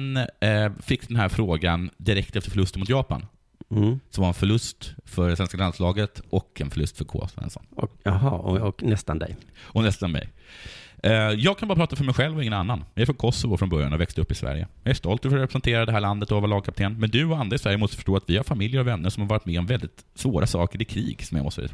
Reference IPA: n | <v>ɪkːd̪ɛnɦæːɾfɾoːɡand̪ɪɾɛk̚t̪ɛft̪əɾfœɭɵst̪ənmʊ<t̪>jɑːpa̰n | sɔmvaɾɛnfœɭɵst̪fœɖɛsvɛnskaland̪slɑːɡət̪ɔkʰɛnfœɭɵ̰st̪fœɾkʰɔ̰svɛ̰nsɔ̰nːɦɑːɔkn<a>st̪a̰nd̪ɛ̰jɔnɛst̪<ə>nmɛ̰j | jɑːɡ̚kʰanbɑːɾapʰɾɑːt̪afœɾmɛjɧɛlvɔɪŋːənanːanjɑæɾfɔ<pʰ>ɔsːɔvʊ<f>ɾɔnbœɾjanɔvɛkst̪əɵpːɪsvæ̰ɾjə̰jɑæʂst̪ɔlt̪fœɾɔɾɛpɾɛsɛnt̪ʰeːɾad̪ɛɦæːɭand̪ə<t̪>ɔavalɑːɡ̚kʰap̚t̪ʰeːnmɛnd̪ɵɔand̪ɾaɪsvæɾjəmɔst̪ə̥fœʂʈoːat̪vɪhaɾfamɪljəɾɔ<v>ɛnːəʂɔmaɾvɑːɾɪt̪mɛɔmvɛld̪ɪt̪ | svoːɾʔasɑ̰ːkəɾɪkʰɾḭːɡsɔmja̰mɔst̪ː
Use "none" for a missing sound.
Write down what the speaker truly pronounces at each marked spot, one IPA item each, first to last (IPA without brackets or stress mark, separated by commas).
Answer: f, t̪, ɛ, a, kʰ, f, t̪, v